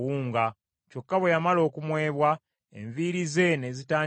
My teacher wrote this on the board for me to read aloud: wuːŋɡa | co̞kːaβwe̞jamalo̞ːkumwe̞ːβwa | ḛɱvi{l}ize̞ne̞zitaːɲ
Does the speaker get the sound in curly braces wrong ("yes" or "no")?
yes